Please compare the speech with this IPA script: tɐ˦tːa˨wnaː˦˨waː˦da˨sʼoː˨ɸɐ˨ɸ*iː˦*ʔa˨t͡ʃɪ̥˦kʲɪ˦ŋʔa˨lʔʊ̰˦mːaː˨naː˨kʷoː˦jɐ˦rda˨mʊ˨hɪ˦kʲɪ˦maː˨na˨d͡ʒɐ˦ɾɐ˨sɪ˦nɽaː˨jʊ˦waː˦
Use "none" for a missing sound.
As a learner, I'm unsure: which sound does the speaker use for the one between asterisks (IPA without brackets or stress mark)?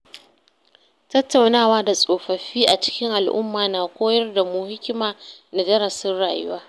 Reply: iː˦